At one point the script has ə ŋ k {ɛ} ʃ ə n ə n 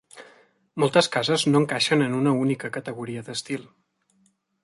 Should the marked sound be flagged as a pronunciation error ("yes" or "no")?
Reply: yes